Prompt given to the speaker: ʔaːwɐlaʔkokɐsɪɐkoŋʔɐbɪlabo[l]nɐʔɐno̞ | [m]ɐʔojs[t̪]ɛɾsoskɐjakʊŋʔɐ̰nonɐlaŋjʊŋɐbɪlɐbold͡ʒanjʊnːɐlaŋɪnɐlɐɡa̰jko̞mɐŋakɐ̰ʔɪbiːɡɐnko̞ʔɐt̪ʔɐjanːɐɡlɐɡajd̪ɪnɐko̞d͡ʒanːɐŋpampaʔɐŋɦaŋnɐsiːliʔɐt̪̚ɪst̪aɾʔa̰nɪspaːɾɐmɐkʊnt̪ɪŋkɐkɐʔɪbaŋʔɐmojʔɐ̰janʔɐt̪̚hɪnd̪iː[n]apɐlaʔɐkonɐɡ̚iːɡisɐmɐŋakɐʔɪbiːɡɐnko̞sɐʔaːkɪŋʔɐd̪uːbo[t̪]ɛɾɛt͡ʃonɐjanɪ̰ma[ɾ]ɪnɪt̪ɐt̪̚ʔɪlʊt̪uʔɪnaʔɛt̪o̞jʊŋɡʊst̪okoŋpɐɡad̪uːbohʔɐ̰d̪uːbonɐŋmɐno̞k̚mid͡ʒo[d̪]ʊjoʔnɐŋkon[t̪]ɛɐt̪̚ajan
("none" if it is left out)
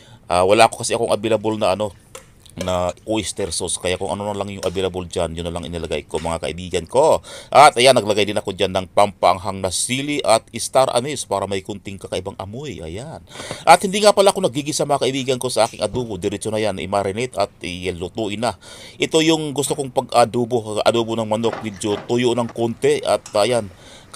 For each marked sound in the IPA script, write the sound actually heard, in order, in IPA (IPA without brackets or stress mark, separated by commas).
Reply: l, n, t̪, ŋ, d̪, ɾ, t̪, t̪